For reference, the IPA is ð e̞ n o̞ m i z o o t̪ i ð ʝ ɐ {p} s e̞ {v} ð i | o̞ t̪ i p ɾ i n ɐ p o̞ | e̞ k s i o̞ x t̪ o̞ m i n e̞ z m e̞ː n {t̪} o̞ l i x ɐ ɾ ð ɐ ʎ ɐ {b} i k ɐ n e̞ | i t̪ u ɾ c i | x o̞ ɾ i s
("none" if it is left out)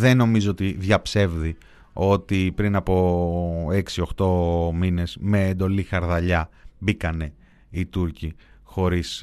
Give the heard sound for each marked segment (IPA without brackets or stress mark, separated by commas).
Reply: p, v, d̪, b